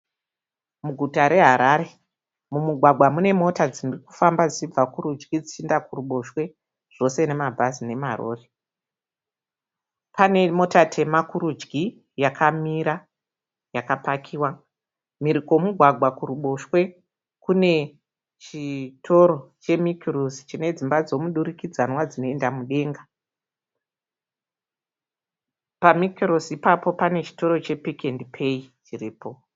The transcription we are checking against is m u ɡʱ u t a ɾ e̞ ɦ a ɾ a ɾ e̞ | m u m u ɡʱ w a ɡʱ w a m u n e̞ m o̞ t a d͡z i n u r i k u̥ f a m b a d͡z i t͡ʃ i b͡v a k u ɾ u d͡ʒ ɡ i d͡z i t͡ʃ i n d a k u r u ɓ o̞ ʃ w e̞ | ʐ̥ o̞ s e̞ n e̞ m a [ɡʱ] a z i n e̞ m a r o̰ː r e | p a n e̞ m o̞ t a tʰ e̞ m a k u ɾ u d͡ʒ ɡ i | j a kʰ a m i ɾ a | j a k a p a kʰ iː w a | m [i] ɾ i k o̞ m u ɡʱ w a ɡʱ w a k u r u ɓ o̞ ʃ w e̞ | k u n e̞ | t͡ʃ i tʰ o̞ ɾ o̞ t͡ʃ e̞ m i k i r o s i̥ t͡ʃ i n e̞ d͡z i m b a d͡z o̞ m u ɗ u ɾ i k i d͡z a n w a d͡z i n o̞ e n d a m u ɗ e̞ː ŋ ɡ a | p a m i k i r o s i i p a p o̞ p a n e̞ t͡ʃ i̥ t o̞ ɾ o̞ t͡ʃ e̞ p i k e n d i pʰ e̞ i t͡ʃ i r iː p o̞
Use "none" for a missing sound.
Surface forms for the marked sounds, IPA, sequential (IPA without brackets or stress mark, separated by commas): bʱ, i